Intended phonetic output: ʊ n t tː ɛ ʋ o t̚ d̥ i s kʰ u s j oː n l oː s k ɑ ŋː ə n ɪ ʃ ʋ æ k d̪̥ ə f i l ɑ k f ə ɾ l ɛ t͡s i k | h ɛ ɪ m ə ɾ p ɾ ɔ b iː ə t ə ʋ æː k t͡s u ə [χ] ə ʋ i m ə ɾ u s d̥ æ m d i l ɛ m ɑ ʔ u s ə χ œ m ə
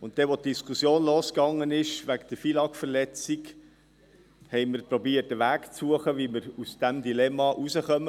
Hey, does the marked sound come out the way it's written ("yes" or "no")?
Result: yes